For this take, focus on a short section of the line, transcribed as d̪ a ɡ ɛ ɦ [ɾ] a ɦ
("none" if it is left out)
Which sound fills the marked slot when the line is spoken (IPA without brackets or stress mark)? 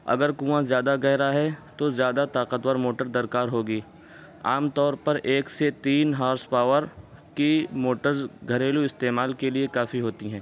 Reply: ɾ